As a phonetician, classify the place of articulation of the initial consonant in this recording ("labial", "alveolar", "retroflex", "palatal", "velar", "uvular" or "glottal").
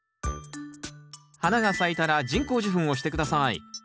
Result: glottal